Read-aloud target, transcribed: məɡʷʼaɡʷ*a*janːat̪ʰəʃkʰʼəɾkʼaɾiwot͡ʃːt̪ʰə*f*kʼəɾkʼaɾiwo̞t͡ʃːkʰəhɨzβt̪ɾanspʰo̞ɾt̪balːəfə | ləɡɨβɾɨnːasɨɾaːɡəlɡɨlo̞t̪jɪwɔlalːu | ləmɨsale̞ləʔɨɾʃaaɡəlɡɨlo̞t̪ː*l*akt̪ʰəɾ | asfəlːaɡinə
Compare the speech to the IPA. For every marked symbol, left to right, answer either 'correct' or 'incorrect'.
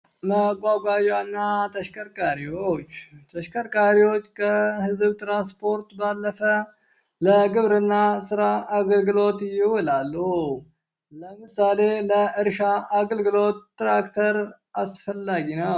correct, incorrect: ʃ, incorrect: ɾ

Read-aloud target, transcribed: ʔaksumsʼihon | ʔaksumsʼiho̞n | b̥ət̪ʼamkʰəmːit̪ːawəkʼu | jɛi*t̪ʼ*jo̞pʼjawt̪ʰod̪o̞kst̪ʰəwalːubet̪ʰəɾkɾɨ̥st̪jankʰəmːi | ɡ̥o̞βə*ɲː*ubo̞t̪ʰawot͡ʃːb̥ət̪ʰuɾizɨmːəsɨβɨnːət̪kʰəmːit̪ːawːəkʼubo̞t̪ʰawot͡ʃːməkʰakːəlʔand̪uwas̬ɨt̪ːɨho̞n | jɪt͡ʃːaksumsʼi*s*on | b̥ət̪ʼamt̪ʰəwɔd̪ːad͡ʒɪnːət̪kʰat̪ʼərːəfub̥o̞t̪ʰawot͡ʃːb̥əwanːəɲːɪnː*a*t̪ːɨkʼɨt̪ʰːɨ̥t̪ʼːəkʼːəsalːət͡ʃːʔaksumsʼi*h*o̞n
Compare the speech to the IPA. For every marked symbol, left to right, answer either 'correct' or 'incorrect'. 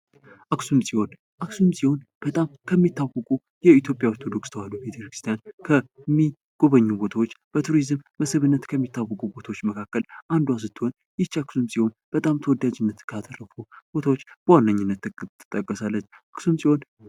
incorrect: t̪, correct, incorrect: h, incorrect: ə, correct

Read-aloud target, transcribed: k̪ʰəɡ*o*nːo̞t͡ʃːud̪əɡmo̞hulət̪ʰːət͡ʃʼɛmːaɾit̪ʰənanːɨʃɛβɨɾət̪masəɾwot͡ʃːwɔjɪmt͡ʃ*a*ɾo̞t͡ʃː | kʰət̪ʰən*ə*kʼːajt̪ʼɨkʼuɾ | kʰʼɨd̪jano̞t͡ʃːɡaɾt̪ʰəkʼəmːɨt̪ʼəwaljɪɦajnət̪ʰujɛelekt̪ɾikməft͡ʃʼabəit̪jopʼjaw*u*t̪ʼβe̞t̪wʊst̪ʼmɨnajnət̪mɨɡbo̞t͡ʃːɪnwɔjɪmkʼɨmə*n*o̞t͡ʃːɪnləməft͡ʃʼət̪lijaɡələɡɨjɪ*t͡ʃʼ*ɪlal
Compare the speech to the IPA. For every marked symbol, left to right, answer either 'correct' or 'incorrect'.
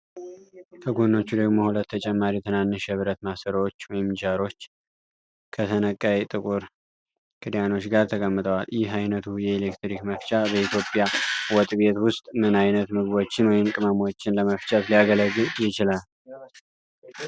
correct, correct, correct, incorrect: ɔ, incorrect: m, incorrect: t͡ʃ

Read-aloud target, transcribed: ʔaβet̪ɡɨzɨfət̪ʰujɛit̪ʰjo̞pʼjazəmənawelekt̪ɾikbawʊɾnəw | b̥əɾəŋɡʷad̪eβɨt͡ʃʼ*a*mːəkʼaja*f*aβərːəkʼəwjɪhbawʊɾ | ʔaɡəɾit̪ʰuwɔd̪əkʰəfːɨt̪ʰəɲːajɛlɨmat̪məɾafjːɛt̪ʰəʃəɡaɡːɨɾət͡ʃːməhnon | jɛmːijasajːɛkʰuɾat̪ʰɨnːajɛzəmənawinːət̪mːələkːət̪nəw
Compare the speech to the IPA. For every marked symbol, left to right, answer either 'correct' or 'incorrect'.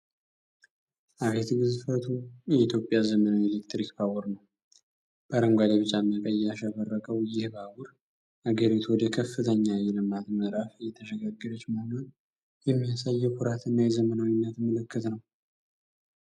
correct, incorrect: ʃ

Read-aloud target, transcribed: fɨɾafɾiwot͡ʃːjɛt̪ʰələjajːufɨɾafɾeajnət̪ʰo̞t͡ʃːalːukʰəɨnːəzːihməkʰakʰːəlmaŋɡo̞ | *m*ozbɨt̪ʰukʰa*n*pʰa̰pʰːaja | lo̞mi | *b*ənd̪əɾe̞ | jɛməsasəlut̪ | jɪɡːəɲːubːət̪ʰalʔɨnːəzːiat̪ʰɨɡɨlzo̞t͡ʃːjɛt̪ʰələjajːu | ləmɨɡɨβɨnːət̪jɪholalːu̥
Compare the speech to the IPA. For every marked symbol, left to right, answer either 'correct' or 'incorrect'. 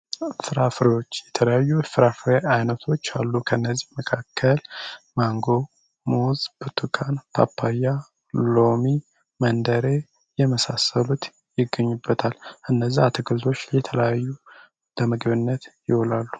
correct, correct, incorrect: m

